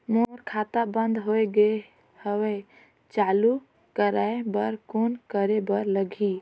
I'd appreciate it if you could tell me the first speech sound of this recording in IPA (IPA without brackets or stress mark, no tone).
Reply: m